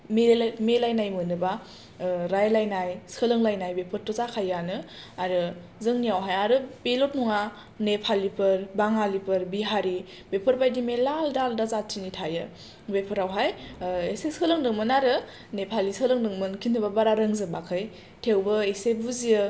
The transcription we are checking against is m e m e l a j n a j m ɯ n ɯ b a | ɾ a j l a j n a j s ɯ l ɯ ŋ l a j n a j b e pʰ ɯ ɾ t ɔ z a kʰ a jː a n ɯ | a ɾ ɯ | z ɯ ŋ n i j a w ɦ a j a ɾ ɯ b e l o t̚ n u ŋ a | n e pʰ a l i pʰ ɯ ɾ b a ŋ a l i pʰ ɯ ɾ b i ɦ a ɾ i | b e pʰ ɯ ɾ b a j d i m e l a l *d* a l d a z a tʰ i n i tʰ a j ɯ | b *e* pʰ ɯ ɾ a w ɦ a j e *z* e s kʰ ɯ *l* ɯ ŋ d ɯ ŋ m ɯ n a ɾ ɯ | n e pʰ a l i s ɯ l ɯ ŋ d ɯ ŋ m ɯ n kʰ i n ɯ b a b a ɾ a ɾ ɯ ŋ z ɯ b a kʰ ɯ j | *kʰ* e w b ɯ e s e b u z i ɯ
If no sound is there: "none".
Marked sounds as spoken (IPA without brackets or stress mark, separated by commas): d, e, s, l, tʰ